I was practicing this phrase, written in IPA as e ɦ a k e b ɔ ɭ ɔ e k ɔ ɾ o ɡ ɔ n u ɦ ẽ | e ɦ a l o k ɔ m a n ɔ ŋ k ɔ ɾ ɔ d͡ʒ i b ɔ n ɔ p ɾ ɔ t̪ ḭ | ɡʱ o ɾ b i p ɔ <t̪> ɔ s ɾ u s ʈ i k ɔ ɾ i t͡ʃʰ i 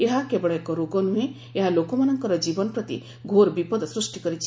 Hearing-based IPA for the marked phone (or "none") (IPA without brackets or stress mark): d̪